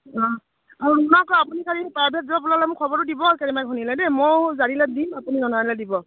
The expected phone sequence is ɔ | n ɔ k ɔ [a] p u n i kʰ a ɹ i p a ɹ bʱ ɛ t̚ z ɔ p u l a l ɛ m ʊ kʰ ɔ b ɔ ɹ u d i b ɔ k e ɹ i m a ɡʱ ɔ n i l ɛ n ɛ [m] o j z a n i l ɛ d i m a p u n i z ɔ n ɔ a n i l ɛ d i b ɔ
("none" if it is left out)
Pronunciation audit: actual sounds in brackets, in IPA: a, m

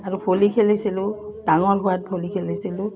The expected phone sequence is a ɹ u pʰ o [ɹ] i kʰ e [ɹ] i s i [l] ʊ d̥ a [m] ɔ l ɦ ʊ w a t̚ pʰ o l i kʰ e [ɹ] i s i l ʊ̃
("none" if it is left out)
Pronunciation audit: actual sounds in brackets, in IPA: l, l, l, ŋ, l

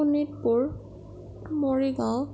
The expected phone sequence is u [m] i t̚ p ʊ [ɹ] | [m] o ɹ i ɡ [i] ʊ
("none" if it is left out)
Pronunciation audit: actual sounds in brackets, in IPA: n, ɹ, m, a

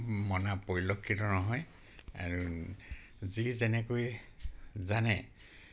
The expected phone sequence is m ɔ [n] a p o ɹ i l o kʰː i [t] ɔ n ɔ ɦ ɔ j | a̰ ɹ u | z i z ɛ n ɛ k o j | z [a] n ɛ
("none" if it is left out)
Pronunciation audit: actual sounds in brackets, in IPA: n, t, a

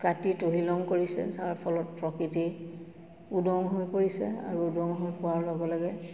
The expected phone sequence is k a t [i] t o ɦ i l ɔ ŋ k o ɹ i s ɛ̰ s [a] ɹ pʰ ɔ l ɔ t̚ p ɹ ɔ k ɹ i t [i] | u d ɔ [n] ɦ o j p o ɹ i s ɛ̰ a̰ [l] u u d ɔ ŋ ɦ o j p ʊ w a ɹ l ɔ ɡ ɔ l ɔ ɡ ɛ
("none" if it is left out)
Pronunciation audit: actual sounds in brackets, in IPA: i, a, i, ŋ, ɹ

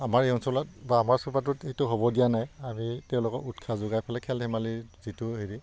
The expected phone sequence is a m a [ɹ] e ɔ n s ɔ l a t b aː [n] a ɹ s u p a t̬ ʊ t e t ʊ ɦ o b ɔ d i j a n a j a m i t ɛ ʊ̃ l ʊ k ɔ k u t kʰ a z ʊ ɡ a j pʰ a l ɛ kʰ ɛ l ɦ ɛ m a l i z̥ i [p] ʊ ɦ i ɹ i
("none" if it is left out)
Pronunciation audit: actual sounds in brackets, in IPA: ɹ, m, t

